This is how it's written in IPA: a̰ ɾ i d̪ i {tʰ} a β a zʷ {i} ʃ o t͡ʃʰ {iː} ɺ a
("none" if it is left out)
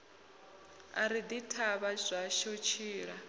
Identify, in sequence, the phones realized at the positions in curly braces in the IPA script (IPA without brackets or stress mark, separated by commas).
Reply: tʰ, a, iː